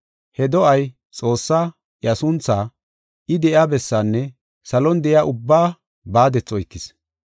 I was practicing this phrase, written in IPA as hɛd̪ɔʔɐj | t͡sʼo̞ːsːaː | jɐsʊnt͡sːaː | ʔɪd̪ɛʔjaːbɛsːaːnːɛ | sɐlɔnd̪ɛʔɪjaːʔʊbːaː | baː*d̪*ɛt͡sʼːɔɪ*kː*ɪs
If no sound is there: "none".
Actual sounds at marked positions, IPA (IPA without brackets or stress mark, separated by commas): d̪, kː